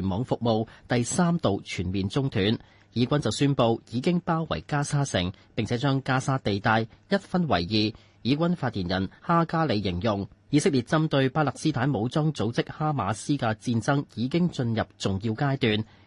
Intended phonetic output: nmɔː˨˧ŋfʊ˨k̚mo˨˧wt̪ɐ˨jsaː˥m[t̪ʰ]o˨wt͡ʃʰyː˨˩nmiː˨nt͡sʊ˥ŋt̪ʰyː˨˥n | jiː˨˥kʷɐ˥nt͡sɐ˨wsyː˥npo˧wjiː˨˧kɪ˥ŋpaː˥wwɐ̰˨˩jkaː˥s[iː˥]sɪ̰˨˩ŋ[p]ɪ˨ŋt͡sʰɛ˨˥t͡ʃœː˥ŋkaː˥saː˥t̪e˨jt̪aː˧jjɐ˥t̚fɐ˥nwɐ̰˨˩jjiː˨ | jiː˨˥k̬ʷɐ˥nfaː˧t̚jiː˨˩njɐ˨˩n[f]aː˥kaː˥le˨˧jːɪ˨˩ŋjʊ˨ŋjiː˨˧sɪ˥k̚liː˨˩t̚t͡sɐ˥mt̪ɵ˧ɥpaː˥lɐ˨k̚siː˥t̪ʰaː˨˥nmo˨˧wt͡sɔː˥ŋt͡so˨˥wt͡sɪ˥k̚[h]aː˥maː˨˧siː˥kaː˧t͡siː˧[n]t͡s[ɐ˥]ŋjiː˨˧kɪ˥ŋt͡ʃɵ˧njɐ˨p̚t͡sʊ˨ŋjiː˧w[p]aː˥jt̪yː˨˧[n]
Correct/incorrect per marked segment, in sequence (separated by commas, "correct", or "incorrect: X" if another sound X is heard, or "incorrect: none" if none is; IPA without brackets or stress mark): incorrect: t̪, incorrect: aː˥, correct, incorrect: h, correct, correct, correct, incorrect: k, correct